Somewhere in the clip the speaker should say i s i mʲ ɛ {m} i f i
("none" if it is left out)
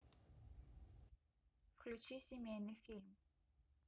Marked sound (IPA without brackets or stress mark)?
n